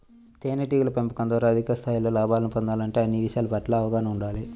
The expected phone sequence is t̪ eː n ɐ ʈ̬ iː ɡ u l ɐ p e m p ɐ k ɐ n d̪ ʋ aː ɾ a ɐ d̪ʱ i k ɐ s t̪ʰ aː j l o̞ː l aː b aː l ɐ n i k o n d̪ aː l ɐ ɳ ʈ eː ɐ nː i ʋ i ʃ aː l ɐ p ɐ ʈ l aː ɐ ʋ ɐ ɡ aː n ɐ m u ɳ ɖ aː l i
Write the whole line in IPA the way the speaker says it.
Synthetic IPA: t̪ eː n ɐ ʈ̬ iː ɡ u l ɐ p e m p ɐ k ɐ n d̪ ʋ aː ɾ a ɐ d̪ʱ i k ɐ s t̪ʰ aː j l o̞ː l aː b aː l ɐ n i p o n d̪ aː l ɐ ɳ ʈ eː ɐ nː i ʋ i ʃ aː l ɐ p ɐ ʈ l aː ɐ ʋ ɐ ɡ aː n ɐ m u ɳ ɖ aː l i